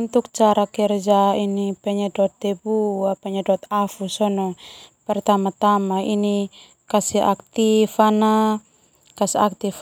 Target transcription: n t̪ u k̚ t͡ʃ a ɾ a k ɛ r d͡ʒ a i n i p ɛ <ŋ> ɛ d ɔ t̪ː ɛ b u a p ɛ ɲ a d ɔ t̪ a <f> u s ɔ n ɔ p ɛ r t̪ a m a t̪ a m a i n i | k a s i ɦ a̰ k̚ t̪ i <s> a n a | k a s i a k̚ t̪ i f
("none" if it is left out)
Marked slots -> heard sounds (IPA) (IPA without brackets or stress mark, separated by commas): ɲ, f, f